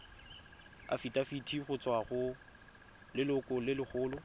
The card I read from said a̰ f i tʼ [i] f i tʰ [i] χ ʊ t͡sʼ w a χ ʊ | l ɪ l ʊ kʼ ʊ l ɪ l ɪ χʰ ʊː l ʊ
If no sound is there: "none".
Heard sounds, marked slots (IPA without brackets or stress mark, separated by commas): a, i